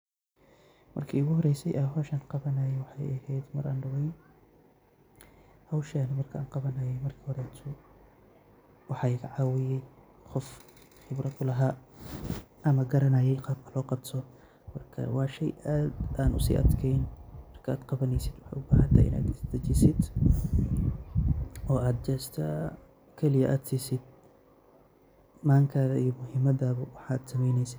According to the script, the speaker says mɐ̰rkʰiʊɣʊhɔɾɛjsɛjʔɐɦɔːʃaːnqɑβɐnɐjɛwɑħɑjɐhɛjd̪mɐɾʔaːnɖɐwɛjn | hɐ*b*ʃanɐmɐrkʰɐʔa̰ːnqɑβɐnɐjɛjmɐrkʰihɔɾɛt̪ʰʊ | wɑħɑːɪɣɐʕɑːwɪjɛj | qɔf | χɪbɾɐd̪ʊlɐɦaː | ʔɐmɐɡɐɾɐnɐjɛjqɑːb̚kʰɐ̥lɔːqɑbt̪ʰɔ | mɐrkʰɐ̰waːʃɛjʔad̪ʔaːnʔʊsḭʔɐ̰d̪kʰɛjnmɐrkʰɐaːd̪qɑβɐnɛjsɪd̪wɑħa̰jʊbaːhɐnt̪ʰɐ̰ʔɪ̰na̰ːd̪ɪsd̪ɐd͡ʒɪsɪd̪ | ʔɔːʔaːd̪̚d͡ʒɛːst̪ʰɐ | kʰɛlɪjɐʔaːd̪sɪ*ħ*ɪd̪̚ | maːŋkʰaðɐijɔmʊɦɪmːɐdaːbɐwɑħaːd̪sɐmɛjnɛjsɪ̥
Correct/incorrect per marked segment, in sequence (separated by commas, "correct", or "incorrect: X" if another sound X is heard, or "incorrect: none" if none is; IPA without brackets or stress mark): incorrect: w, incorrect: s